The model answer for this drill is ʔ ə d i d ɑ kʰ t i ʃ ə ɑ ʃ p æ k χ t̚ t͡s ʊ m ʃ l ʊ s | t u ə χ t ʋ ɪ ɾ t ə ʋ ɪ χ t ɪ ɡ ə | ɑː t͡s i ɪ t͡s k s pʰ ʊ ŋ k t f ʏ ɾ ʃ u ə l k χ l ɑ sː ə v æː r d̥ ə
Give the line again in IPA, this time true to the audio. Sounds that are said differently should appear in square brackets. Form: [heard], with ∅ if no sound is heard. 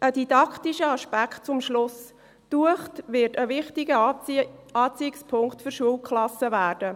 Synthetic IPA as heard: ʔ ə d i d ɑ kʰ t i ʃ ə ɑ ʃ p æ k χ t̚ t͡s ʊ m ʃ l ʊ s | t u ə χ t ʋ ɪ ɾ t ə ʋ ɪ χ t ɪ ɡ ə | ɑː t͡s i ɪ [∅] k s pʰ ʊ ŋ k t f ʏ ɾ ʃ u ə l k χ l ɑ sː ə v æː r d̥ ə